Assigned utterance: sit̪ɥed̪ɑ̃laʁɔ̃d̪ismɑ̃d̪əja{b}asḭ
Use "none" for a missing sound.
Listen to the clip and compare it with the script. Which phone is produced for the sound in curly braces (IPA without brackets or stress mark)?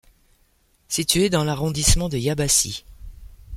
b